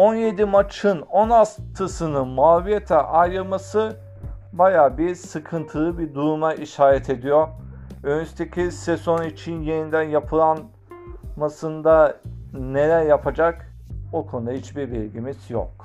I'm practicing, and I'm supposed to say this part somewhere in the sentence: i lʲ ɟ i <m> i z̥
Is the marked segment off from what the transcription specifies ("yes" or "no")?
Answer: no